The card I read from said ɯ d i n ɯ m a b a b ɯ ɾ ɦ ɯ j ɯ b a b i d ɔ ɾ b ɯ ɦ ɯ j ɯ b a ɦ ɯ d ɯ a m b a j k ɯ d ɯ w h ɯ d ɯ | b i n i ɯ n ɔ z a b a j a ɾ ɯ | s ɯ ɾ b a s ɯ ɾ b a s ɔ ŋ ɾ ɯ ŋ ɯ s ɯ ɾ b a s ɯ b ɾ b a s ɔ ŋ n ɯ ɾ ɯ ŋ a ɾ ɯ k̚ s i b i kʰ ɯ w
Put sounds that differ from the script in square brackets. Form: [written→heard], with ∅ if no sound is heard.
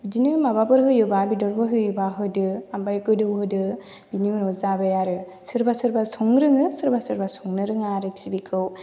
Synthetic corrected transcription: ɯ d i n ɯ m a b a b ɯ ɾ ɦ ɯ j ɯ b a b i d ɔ ɾ b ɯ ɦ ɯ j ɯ b a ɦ ɯ d ɯ a m b a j k ɯ d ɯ w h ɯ d ɯ | b i n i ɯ n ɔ z a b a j a ɾ ɯ | s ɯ ɾ b a s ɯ ɾ b a s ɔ ŋ ɾ ɯ ŋ ɯ s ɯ ɾ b a s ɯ [b→∅] ɾ b a s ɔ ŋ n ɯ ɾ ɯ ŋ a ɾ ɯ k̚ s i b i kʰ ɯ w